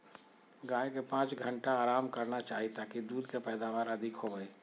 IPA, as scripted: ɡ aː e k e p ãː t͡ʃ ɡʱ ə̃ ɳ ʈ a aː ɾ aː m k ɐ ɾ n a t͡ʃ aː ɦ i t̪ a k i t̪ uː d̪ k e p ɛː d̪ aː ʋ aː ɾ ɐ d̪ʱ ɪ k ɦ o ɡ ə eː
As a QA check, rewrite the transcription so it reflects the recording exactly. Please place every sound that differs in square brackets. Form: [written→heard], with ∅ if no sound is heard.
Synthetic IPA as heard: ɡ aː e k e p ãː t͡ʃ ɡʱ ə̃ ɳ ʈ a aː ɾ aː m k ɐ ɾ n a t͡ʃ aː ɦ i t̪ a k i [t̪→d̪] uː d̪ k e p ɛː d̪ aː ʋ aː ɾ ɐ d̪ʱ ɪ k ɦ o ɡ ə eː

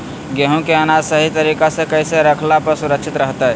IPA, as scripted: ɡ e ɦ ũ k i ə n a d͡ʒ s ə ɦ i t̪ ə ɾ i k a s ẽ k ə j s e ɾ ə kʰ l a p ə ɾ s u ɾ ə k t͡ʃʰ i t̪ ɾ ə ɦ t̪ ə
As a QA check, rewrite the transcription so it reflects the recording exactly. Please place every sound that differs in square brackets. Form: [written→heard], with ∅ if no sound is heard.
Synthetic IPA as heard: ɡ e ɦ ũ k [i→e] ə n a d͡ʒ s ə ɦ i t̪ ə ɾ i k a s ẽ k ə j s e ɾ ə kʰ l a p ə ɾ s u ɾ ə k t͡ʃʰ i t̪ ɾ ə ɦ t̪ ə

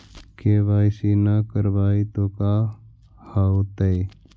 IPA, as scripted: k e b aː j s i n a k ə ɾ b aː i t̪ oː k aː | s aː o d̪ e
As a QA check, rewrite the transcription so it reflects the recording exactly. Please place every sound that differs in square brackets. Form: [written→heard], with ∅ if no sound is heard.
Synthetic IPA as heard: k e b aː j s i n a k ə ɾ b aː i t̪ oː k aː | [s→h] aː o [d̪→t̪] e

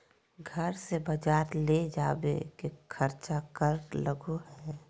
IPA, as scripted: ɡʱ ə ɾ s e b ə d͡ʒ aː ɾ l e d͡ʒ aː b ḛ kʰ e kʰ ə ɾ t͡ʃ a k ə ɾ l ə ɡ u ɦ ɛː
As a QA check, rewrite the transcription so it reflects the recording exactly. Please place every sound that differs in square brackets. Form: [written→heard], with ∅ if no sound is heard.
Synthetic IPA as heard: ɡʱ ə ɾ s e b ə d͡ʒ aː ɾ l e d͡ʒ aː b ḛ [kʰ→k] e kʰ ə ɾ t͡ʃ a k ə ɾ l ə ɡ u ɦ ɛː

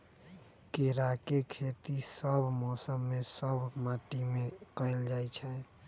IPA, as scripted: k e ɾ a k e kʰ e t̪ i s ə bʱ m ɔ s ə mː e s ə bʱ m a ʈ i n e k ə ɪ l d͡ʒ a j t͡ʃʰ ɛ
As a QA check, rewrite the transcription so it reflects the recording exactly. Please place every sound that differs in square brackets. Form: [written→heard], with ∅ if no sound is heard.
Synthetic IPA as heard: k e ɾ a k e kʰ e t̪ i s ə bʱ m ɔ s ə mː e s ə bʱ m a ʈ i [n→m] e k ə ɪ l d͡ʒ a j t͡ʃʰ ɛ

